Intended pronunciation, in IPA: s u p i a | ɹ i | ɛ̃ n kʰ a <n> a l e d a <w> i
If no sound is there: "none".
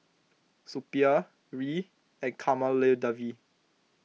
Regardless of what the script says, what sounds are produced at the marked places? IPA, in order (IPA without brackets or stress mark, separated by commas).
m, v